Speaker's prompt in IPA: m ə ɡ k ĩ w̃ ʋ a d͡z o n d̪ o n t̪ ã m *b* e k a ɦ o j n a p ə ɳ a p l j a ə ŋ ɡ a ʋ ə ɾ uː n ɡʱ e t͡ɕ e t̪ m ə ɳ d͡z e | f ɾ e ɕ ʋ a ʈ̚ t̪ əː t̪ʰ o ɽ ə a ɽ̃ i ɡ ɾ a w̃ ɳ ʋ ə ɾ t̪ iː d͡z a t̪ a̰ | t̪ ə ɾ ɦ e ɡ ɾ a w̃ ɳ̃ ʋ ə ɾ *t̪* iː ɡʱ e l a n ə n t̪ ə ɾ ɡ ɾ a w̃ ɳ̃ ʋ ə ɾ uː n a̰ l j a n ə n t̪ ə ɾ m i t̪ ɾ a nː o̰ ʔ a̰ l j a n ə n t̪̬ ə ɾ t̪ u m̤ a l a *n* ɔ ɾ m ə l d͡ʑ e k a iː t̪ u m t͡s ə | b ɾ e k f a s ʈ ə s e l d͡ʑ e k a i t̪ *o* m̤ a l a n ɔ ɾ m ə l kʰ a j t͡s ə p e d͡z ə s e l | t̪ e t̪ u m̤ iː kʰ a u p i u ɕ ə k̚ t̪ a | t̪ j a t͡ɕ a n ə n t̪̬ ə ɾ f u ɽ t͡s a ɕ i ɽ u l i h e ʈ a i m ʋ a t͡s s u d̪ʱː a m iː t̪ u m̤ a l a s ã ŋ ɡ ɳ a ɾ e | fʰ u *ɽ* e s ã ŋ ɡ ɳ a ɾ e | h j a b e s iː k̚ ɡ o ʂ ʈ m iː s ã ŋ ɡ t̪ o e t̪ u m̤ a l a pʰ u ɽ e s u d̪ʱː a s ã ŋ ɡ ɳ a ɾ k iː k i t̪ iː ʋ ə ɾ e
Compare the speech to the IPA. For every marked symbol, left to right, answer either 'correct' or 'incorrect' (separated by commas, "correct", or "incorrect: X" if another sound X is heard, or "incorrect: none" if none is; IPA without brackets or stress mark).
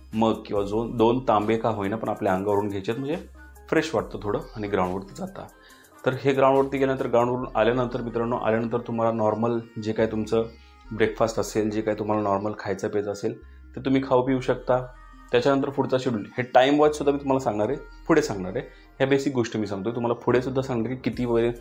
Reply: correct, correct, correct, incorrect: u, correct